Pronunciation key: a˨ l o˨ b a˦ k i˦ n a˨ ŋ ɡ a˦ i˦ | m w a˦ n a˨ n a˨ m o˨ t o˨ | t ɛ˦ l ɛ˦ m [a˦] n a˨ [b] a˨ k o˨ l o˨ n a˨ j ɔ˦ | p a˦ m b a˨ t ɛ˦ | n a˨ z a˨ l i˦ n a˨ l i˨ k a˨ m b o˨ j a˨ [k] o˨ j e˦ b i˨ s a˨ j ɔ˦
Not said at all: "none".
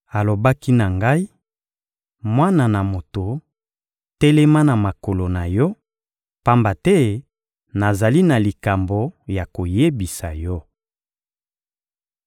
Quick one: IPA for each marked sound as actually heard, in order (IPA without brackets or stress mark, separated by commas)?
a˦, m, k